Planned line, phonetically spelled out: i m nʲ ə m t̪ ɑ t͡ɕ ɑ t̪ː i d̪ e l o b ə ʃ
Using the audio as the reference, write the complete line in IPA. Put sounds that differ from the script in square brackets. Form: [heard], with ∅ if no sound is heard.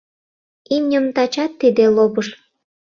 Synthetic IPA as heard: i m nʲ ə m t̪ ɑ t͡ɕ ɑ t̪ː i d̪ e l o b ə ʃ

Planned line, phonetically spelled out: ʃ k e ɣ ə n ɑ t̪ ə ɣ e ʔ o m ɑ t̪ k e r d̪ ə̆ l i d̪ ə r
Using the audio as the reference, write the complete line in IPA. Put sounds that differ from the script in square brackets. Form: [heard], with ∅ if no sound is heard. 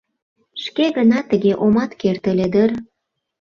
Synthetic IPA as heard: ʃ k e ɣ ə n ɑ t̪ ə ɣ e ʔ o m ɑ t̪ k e r [t̪] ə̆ l [e] d̪ ə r

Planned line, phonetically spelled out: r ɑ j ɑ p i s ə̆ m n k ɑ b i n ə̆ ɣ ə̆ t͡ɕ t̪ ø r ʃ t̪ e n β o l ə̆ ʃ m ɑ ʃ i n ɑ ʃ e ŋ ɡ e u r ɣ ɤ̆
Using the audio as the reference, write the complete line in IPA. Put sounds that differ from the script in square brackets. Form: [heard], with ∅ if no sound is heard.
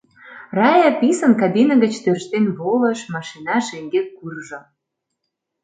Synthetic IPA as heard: r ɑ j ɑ p i s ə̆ [∅] n k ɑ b i n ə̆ ɣ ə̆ t͡ɕ t̪ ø r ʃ t̪ e n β o l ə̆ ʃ m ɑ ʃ i n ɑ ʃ e ŋ ɡ e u r [ʒ] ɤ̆

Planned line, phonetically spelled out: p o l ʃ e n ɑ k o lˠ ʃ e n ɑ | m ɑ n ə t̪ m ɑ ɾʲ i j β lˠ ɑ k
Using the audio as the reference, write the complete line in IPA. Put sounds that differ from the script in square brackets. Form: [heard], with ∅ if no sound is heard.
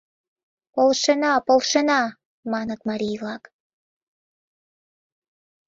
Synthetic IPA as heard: p o l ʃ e n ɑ [p] o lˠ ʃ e n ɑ | m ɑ n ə t̪ m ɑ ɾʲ i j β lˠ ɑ k

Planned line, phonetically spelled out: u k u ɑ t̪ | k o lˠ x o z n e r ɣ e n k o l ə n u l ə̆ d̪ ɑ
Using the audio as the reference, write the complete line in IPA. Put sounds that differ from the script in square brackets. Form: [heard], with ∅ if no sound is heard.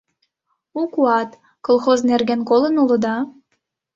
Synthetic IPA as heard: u k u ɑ t̪ | k o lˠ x o z n e r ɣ e n k o l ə n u l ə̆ d̪ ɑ

